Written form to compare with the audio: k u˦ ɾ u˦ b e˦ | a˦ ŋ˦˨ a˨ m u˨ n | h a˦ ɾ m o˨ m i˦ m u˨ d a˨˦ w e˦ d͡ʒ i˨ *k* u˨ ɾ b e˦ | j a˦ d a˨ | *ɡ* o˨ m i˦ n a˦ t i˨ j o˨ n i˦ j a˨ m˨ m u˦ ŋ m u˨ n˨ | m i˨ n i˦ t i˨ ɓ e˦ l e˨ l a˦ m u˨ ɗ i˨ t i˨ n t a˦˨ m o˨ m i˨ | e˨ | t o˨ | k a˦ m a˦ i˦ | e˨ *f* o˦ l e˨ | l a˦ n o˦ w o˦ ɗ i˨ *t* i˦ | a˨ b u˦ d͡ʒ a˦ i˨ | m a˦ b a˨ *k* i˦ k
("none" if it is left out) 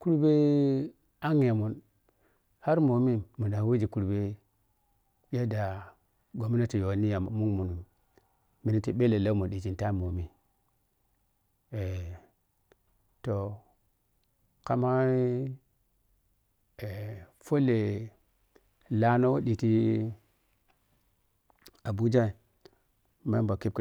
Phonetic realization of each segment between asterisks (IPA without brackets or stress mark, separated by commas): k, ɡ, f, t, k